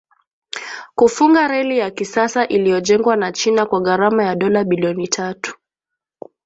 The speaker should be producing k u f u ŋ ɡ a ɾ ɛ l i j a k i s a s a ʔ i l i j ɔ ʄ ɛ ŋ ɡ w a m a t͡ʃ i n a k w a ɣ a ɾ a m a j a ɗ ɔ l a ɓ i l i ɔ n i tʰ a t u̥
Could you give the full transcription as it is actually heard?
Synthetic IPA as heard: k u f u ŋ ɡ a ɾ ɛ l i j a k i s a s a ʔ i l i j ɔ ʄ ɛ ŋ ɡ w a n a t͡ʃ i n a k w a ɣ a ɾ a m a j a ɗ ɔ l a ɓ i l i ɔ n i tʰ a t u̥